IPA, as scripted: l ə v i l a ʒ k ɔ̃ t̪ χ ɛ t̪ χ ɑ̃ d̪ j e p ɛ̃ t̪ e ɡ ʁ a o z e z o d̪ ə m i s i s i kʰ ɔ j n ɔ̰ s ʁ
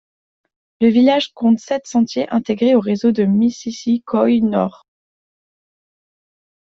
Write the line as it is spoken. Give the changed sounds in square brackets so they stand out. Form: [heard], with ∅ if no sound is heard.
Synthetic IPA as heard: l ə v i l a ʒ k ɔ̃ t̪ [s] ɛ t̪ [s] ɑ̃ [t̪] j e [ʔ] ɛ̃ t̪ e ɡ ʁ [e] o [ʁ] e z o d̪ ə m i s i s i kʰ ɔ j n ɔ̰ [∅] ʁ